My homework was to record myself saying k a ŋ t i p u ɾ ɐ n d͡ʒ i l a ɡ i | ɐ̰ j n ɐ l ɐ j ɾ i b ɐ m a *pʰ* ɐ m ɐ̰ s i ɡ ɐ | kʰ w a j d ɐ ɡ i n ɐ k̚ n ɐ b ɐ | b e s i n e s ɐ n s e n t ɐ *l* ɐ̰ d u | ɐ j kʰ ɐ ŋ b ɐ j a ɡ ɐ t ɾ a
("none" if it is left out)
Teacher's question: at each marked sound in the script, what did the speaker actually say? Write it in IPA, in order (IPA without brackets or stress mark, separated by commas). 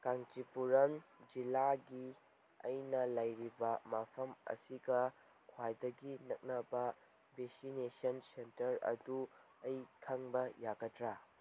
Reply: pʰ, ɾ